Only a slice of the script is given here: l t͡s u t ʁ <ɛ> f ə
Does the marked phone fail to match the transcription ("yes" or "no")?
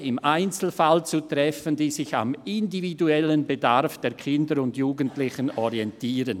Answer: no